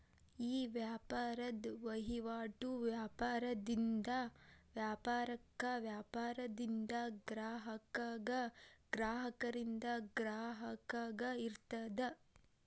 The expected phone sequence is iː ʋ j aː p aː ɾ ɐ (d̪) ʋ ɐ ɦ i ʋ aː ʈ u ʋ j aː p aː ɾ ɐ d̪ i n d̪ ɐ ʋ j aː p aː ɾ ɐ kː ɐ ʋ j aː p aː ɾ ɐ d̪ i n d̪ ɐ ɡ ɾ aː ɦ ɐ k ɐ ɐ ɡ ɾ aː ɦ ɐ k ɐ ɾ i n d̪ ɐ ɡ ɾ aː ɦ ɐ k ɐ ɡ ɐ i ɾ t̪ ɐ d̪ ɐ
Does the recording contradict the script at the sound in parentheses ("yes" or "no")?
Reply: no